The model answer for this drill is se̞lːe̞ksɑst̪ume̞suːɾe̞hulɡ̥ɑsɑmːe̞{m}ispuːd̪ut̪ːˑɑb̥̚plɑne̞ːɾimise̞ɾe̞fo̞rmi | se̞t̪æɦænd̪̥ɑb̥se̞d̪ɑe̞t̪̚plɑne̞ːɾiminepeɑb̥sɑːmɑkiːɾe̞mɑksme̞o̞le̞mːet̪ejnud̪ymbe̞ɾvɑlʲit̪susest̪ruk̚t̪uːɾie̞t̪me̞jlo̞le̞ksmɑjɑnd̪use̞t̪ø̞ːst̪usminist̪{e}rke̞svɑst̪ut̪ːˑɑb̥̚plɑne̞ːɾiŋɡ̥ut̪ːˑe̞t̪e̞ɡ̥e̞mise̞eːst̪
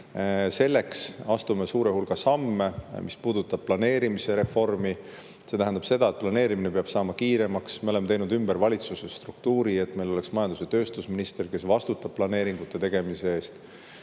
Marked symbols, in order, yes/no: yes, yes

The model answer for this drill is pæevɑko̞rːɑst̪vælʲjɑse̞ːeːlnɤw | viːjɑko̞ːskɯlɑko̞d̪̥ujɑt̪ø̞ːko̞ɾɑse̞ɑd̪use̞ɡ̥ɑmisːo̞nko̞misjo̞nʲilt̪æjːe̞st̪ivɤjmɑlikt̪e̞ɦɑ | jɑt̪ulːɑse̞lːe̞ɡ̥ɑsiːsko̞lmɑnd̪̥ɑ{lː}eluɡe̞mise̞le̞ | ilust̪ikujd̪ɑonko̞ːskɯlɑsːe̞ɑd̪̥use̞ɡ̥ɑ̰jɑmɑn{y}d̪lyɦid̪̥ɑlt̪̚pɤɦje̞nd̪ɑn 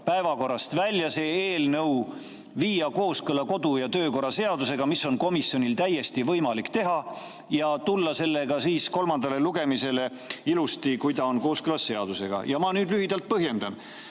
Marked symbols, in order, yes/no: no, no

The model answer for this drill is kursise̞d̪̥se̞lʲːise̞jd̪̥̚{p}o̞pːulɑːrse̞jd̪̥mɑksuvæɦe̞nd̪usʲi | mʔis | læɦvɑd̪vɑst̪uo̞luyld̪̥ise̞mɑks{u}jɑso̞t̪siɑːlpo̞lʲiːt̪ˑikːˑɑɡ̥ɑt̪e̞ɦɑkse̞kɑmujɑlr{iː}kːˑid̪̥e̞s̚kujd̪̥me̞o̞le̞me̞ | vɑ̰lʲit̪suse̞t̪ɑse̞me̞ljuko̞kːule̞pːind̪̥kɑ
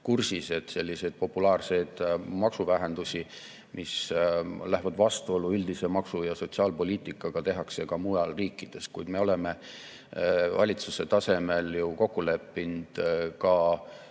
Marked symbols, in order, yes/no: yes, yes, yes

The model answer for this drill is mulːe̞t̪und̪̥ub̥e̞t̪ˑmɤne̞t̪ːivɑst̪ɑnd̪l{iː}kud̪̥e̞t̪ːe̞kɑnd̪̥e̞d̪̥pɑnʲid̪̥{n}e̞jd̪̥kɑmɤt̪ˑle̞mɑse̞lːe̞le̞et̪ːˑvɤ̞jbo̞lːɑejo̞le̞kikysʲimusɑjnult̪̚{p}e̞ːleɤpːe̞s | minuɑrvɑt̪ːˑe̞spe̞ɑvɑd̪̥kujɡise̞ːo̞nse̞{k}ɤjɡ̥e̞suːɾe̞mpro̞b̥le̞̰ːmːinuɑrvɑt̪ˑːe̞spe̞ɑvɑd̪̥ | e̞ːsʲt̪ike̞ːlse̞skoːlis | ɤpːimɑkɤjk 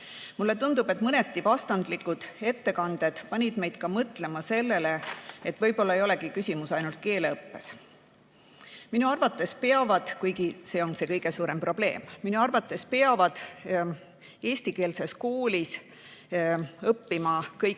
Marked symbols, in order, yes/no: no, no, no, yes

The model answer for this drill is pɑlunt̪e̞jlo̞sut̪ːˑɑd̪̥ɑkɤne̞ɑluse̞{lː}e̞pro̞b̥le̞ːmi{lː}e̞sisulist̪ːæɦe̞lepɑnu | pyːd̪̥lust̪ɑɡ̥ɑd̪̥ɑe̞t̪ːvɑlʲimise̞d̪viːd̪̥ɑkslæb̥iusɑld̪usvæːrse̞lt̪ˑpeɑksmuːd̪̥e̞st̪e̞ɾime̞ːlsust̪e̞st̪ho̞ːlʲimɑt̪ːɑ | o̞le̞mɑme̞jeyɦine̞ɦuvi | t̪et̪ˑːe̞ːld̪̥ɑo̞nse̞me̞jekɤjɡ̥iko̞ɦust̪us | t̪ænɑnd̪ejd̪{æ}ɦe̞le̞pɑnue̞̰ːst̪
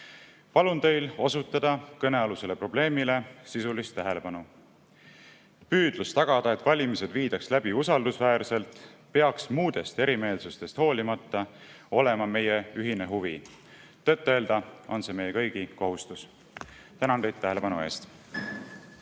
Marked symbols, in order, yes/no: no, no, yes

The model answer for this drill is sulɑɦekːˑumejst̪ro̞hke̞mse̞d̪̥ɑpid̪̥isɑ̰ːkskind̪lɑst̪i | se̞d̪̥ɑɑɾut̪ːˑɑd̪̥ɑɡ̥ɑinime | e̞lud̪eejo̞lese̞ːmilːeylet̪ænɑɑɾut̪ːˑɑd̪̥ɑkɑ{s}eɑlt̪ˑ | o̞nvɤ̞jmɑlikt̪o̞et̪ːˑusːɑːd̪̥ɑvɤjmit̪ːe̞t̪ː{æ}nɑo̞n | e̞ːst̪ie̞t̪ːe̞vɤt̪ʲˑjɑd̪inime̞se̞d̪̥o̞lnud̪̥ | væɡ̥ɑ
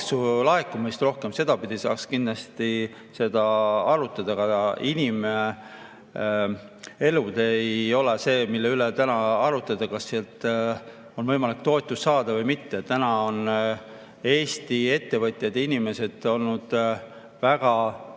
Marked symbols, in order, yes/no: no, yes

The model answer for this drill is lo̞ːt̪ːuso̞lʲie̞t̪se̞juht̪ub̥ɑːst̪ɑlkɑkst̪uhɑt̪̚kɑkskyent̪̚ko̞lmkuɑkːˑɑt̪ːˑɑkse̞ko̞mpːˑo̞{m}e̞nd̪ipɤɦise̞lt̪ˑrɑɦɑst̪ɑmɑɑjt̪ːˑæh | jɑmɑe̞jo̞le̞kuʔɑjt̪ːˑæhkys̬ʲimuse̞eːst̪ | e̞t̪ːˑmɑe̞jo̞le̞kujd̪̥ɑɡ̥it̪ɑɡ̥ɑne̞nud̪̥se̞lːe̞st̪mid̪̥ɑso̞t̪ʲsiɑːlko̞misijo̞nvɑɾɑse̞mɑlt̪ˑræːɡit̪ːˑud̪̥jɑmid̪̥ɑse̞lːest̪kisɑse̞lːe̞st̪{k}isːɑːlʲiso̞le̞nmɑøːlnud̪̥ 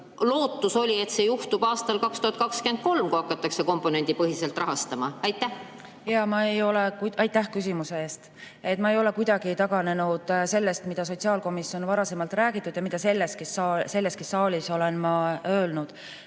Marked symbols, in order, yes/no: no, yes

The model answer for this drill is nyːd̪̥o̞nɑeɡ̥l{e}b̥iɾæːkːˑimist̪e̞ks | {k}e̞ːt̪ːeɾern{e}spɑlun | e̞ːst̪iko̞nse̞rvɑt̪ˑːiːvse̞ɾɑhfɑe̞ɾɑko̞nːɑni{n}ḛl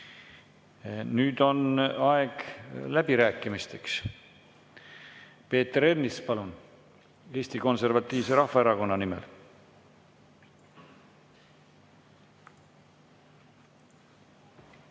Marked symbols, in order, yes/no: no, no, no, no

